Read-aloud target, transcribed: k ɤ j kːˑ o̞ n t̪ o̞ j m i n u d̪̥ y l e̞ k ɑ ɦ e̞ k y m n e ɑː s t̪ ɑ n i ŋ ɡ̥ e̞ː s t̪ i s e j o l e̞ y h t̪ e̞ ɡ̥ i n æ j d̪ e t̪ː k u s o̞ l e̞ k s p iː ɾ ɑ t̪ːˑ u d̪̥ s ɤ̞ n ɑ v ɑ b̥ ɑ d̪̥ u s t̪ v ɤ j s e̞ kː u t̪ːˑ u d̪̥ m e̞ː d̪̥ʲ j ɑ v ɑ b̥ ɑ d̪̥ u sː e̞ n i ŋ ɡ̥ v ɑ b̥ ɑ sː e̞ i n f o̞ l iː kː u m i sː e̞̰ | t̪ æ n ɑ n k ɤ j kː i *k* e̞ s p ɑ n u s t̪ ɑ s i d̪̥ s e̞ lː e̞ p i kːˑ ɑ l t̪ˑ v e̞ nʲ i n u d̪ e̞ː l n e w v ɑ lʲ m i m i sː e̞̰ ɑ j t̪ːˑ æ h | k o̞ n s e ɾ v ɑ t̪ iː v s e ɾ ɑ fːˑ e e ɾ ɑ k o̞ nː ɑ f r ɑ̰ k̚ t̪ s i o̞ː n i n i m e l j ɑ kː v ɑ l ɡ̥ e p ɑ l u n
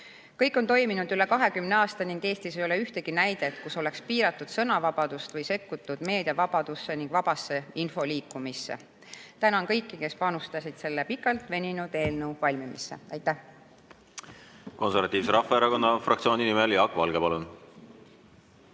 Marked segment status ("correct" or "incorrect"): correct